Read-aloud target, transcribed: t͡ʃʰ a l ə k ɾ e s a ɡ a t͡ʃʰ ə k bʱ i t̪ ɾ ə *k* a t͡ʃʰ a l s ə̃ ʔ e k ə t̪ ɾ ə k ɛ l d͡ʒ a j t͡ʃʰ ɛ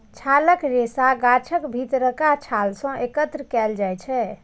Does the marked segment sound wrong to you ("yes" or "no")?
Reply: no